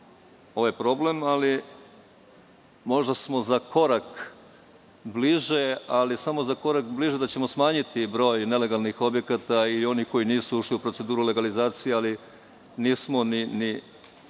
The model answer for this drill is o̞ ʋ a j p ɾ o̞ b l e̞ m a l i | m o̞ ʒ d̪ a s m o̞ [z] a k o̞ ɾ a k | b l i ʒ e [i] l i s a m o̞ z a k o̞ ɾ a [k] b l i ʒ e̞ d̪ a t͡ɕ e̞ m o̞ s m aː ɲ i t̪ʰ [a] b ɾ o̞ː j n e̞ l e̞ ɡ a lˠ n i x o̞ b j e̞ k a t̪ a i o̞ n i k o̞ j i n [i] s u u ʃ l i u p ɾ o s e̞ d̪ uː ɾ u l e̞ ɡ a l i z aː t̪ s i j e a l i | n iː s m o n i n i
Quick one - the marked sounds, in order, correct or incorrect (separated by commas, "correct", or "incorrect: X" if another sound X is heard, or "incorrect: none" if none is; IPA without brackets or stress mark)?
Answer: correct, incorrect: a, correct, incorrect: i, incorrect: iː